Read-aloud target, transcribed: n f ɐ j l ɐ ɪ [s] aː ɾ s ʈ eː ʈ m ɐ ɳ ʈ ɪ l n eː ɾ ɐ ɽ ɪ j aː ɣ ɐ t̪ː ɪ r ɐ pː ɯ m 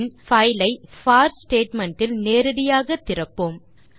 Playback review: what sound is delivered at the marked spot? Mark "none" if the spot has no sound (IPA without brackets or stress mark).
f